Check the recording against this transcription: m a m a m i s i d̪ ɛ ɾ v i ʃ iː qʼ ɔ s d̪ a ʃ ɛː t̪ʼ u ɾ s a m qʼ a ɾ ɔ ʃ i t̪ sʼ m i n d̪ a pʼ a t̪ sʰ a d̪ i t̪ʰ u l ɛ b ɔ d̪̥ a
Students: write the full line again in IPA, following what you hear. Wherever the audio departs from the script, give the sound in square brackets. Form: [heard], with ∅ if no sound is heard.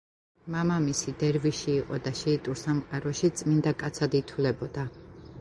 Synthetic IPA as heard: m a m a m i s i d̪ ɛ ɾ v i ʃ iː qʼ ɔ [∅] d̪ a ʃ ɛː t̪ʼ u ɾ s a m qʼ a ɾ ɔ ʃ i t̪ sʼ m i n d̪ a [kʼ] a t̪ sʰ a d̪ i t̪ʰ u l ɛ b ɔ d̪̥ a